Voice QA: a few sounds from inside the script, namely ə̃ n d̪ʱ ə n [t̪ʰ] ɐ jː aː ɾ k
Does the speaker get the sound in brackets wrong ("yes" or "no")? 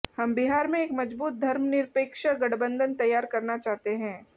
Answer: yes